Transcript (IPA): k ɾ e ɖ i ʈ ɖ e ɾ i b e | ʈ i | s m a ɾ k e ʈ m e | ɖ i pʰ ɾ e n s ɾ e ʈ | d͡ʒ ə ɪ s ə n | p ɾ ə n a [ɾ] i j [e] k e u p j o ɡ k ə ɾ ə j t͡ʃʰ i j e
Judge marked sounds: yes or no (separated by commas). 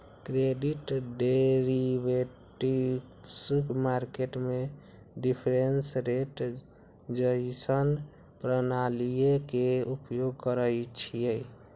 no, yes